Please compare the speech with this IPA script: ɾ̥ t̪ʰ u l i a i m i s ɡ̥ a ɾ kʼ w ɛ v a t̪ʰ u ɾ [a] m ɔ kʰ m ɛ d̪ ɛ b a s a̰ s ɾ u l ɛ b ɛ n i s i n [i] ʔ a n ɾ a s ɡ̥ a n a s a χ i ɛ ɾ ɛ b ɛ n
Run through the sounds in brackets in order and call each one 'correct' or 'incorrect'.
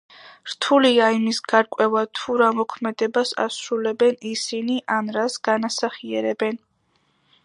correct, correct

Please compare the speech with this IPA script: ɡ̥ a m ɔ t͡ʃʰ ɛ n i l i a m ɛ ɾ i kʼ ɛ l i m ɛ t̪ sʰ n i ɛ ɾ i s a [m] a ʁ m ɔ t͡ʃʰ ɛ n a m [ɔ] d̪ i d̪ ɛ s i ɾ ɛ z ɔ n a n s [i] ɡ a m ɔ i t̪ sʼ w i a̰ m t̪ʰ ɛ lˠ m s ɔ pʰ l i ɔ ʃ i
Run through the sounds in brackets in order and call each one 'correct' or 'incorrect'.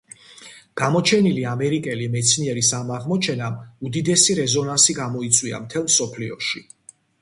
correct, incorrect: u, correct

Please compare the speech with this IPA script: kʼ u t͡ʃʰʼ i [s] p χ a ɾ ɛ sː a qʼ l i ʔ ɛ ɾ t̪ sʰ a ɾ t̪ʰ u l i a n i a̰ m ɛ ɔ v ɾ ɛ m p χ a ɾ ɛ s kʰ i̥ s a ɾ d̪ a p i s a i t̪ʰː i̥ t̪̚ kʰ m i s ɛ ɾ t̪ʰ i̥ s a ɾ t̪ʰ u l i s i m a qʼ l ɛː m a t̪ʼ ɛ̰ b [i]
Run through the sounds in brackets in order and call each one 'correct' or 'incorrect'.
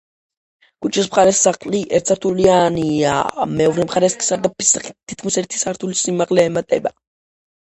correct, incorrect: a

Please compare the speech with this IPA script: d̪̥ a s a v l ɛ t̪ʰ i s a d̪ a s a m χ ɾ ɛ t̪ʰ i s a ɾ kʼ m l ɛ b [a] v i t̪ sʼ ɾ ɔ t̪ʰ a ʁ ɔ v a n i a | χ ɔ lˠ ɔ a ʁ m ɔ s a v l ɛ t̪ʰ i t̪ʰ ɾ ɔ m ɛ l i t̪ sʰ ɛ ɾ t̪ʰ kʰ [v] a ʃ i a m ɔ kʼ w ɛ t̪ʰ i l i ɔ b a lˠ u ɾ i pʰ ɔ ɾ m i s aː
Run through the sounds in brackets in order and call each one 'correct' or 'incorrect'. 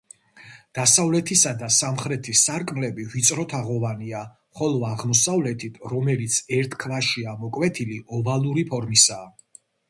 incorrect: i, correct

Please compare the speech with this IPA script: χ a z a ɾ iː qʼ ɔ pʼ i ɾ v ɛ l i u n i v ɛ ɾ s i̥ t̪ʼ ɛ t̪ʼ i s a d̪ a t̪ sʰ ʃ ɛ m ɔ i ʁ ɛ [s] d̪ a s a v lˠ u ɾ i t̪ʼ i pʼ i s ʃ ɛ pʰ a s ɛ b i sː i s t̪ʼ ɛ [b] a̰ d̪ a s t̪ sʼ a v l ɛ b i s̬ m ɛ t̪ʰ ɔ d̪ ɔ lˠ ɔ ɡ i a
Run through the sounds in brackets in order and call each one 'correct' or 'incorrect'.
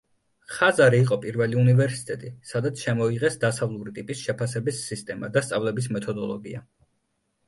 correct, incorrect: m

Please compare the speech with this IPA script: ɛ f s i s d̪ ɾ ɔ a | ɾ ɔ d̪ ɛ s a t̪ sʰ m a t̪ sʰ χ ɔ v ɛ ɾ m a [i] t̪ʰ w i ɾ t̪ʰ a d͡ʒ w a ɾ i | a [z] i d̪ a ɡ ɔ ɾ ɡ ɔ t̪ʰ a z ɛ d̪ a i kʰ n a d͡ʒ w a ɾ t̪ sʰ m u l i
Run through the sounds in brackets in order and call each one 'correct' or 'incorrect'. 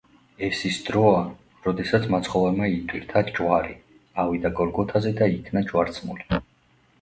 correct, incorrect: v

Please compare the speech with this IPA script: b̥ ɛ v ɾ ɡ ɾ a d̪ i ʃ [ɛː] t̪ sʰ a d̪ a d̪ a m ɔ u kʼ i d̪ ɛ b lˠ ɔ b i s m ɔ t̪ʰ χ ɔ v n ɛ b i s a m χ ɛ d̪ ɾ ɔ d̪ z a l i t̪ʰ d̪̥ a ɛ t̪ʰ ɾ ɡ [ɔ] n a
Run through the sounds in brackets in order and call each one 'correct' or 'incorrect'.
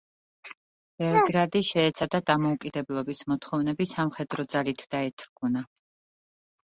correct, incorrect: u

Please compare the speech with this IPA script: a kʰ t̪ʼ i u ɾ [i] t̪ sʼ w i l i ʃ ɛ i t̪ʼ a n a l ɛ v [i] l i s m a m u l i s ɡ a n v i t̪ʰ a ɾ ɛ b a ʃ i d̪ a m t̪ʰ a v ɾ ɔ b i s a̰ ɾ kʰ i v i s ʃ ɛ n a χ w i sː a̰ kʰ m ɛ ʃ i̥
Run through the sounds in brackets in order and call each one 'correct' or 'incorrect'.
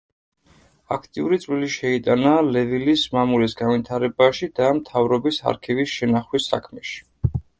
correct, correct

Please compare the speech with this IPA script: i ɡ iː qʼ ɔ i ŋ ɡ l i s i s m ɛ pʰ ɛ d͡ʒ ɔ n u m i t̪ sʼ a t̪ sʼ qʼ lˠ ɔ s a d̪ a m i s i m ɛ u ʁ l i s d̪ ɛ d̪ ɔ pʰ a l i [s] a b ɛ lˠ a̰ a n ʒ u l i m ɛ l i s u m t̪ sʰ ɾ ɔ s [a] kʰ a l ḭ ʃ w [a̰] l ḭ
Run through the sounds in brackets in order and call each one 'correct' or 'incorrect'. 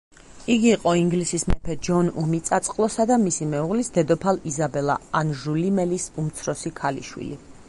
incorrect: z, incorrect: i, incorrect: ḭ

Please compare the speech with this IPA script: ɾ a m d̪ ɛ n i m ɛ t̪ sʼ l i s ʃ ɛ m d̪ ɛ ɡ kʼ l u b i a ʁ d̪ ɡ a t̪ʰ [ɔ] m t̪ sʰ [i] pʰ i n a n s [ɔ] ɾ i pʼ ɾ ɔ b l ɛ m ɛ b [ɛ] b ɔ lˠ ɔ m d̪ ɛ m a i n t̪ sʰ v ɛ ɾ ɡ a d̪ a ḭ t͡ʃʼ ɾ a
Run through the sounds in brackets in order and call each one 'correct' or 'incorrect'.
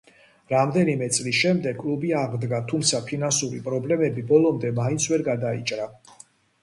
incorrect: u, incorrect: a, incorrect: u, incorrect: i

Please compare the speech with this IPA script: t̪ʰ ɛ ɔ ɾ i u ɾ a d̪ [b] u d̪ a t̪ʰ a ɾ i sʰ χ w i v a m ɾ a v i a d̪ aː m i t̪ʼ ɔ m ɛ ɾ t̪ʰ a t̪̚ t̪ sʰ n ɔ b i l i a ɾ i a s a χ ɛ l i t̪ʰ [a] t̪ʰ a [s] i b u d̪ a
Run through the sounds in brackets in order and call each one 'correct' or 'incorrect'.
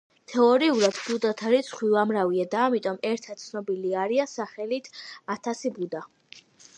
correct, correct, correct

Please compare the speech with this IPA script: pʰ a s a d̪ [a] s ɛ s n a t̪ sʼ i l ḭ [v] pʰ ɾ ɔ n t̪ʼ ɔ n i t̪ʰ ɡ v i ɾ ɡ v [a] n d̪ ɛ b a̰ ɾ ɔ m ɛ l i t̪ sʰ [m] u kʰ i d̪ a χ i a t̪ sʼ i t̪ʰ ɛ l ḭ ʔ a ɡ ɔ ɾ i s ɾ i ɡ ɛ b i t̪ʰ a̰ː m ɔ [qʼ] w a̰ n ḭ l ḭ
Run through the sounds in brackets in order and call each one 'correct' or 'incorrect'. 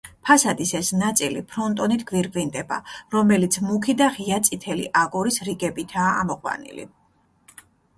incorrect: i, incorrect: none, incorrect: i, correct, correct

